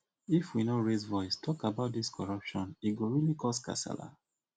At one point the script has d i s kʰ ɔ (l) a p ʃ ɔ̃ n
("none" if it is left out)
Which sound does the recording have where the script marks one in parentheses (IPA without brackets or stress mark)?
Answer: ɹ